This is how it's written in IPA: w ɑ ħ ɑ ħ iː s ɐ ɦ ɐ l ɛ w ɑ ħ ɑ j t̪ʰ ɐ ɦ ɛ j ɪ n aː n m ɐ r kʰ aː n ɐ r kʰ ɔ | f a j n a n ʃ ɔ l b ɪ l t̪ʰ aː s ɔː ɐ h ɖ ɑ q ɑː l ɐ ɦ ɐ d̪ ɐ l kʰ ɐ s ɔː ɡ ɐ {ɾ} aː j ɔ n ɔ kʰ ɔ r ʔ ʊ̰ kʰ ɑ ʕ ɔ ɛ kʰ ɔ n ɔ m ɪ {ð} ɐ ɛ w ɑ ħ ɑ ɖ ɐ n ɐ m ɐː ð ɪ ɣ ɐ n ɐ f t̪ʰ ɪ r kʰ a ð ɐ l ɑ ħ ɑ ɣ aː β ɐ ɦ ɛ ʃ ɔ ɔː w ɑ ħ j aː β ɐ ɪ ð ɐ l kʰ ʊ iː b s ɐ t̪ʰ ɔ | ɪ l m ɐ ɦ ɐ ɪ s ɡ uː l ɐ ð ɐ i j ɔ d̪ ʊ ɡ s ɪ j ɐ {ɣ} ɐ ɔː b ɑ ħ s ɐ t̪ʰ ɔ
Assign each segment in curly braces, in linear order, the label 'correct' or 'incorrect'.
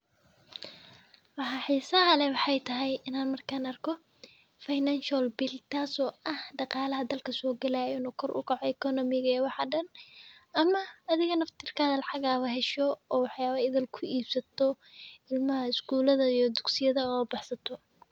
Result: incorrect: l, incorrect: ɣ, incorrect: ð

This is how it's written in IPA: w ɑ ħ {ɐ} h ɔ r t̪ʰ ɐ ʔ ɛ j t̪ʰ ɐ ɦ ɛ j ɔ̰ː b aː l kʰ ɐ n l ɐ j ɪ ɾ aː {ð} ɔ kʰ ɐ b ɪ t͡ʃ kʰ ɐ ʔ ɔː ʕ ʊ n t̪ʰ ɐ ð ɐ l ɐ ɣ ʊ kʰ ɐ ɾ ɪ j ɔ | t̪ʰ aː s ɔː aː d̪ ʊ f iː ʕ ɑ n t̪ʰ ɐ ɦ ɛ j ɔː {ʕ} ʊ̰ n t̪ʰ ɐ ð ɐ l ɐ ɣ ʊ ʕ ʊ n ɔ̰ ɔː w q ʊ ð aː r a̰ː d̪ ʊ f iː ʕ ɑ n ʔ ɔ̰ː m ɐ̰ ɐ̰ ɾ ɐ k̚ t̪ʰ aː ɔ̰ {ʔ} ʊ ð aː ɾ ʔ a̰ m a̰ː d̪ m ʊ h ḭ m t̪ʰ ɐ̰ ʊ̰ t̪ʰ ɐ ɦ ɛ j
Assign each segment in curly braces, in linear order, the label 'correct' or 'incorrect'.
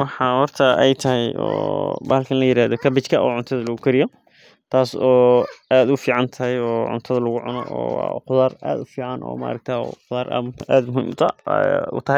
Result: incorrect: ɑ, correct, correct, incorrect: q

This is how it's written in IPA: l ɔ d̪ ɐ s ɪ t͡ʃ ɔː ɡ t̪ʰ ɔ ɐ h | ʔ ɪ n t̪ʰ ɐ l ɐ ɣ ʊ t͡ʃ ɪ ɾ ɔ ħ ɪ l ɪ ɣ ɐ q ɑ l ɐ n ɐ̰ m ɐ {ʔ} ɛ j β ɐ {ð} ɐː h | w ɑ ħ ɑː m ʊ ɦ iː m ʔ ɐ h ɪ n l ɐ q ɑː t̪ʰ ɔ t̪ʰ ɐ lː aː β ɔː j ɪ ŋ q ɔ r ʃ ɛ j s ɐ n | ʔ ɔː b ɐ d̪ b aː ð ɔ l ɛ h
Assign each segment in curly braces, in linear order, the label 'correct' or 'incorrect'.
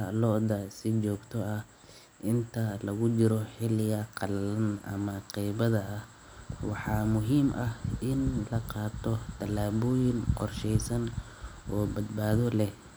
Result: incorrect: q, correct

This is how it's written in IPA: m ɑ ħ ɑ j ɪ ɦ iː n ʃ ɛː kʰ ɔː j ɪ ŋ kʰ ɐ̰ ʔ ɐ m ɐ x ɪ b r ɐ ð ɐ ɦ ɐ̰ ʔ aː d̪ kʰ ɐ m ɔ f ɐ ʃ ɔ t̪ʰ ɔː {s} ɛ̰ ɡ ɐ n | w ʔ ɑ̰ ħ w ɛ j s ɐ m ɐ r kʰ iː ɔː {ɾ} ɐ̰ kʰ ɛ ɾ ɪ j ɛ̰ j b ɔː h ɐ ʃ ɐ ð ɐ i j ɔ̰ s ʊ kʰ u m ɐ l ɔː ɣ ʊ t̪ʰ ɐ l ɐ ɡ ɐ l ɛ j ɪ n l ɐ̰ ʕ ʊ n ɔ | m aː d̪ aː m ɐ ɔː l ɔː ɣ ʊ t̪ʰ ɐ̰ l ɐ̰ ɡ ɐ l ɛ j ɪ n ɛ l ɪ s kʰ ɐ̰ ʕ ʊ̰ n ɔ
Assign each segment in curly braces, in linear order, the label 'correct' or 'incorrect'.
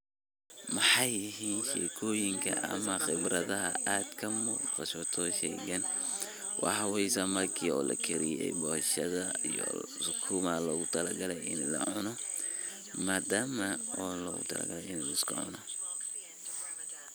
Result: incorrect: ʃ, incorrect: l

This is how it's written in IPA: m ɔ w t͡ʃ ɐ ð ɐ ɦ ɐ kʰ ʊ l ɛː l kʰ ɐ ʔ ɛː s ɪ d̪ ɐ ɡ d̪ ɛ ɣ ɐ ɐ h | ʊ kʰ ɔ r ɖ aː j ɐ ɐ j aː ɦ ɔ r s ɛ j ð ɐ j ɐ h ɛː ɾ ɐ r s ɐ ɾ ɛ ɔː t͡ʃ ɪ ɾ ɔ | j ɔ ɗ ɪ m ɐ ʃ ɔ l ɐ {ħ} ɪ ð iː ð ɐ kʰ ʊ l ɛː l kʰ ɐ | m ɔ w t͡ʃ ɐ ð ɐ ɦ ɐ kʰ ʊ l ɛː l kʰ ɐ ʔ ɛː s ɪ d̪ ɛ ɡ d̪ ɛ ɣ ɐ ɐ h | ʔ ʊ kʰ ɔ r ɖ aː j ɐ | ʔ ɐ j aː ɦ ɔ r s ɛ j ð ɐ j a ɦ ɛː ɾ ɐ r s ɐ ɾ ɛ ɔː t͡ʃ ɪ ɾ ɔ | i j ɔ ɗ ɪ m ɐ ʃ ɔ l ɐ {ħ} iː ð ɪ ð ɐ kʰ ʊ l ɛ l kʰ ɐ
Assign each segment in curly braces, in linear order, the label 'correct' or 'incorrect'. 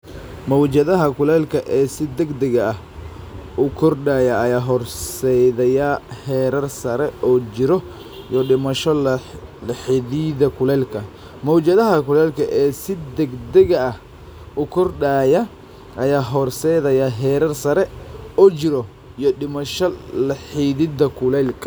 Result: correct, correct

